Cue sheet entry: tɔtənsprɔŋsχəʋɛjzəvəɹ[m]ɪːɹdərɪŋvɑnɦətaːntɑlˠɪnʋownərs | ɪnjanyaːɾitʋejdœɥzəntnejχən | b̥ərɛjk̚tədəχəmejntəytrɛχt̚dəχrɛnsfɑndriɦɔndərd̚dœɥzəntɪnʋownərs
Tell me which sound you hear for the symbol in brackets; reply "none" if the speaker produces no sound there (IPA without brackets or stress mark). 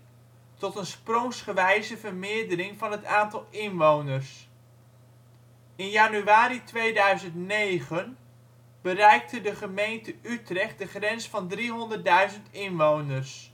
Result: m